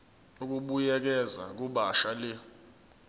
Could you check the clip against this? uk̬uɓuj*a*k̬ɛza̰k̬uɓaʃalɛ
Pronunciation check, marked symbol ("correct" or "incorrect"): incorrect